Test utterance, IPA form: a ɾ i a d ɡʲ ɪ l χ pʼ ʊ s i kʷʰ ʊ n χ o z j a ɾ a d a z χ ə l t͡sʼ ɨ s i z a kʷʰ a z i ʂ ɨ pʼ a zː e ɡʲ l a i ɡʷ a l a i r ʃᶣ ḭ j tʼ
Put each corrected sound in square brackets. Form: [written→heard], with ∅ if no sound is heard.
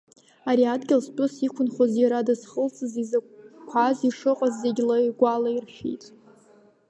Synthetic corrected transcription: a ɾ i a d ɡʲ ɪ l [χ→s] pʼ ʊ s i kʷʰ ʊ n χ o z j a ɾ a d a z χ ə l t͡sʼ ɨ [s→z] i z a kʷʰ a z i ʂ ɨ [pʼ→qʼ] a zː e ɡʲ l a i ɡʷ a l a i r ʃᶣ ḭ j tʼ